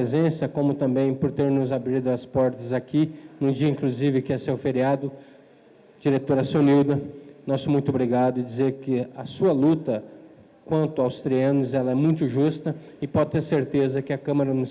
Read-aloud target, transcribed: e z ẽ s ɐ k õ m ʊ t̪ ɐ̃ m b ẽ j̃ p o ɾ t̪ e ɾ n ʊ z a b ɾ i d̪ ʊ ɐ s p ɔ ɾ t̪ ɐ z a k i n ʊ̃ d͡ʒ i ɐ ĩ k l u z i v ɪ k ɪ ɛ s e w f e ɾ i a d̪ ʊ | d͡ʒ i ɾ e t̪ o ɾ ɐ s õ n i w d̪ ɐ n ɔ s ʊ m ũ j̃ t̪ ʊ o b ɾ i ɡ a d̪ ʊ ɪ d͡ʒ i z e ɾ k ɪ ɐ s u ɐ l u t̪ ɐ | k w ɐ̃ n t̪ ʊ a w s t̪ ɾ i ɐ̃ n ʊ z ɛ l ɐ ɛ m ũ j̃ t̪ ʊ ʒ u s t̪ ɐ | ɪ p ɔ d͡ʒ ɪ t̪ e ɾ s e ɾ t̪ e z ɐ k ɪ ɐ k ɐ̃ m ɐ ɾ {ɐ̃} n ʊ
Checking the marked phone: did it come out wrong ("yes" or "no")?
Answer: yes